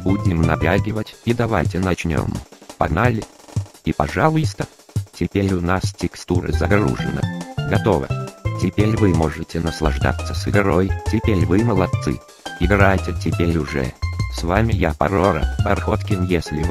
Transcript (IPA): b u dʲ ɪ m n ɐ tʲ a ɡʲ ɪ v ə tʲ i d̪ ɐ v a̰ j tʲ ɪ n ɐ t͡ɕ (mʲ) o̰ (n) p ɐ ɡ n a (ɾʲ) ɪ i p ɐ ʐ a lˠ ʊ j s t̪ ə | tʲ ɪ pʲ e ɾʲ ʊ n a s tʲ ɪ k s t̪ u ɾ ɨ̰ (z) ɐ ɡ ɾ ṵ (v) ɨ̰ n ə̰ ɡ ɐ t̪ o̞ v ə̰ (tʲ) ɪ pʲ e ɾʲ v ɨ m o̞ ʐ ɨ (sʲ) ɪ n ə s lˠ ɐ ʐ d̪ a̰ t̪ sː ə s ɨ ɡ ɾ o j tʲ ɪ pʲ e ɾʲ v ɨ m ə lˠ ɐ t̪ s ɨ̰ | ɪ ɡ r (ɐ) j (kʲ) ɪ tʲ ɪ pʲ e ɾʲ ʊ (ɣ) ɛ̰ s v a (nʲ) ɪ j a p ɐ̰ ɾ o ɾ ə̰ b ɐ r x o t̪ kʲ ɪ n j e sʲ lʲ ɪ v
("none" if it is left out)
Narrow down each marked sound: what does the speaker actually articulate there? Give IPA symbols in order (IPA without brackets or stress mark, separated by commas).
nʲ, m, lʲ, z, ʐ, tʲ, tʲ, a, tʲ, ʐ, mʲ